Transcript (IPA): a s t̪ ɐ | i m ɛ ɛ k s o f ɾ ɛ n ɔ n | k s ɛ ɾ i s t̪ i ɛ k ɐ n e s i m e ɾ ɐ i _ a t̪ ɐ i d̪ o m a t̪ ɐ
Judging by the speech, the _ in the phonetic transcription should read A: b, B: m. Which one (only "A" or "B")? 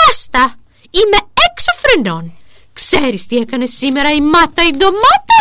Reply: B